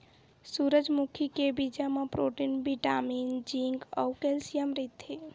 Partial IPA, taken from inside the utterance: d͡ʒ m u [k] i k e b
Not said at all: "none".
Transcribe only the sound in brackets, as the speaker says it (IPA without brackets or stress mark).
kʰ